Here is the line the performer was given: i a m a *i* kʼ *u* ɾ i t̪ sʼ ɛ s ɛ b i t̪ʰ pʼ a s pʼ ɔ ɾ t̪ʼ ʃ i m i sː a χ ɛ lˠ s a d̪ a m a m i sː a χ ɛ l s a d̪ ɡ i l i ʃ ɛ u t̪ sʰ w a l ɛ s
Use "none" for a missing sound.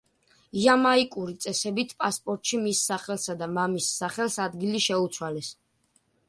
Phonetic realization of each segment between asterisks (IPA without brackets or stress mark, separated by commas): i, u